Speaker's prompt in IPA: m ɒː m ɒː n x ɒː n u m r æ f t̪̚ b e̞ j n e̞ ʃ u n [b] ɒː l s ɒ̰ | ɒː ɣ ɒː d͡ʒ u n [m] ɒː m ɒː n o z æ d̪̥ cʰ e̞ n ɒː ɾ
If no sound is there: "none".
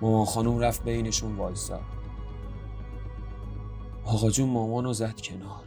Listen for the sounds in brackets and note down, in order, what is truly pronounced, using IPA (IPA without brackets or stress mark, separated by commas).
v, m